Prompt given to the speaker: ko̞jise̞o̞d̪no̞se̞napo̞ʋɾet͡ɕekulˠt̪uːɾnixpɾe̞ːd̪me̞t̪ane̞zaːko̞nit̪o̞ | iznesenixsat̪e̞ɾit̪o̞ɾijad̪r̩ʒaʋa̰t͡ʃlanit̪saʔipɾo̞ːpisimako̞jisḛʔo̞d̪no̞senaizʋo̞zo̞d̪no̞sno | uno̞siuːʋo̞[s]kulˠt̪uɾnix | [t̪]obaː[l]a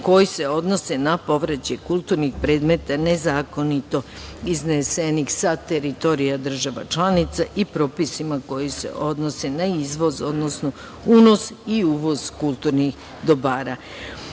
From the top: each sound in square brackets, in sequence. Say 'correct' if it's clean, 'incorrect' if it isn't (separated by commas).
incorrect, incorrect, incorrect